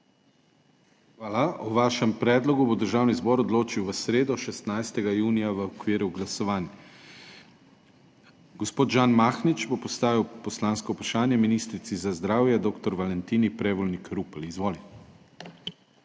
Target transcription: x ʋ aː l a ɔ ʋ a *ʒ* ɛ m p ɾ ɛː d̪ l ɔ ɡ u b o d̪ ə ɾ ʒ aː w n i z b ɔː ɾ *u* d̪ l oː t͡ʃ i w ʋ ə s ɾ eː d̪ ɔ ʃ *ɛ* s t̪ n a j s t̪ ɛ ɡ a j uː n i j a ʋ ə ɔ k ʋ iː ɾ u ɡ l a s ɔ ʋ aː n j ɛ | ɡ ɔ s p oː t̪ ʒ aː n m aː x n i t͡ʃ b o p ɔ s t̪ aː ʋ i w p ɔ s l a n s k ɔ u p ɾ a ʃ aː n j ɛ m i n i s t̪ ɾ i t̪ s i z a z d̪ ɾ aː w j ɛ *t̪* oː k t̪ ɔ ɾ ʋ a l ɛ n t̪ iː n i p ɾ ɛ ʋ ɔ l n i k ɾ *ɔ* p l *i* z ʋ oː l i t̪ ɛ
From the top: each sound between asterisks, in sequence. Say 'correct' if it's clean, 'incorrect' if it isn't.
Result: incorrect: ʃ, incorrect: ɔ, correct, incorrect: d̪, incorrect: u, correct

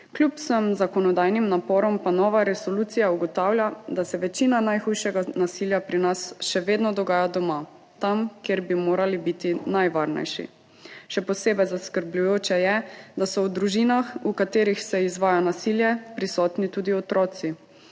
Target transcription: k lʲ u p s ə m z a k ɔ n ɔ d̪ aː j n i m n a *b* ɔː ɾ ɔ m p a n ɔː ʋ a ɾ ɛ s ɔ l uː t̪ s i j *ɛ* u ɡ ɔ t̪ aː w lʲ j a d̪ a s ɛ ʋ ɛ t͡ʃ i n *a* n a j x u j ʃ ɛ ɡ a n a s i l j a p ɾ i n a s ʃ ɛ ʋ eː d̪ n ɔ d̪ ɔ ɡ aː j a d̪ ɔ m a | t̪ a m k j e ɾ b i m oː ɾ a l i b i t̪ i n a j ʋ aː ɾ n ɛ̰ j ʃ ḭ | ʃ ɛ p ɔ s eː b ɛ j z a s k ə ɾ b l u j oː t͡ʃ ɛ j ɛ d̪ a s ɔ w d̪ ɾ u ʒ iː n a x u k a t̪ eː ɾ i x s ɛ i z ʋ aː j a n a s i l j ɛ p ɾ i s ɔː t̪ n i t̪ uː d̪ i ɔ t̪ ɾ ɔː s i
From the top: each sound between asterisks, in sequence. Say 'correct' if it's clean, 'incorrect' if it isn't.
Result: incorrect: p, incorrect: a, correct

